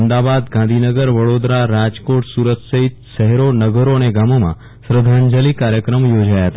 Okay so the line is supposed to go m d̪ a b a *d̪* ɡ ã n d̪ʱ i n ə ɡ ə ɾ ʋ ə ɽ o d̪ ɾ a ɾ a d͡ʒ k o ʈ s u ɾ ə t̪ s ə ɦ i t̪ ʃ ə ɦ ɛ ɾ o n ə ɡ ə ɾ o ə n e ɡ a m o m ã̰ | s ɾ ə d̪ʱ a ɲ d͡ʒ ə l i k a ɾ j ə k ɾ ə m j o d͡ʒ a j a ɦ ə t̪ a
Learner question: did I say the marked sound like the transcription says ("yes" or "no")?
yes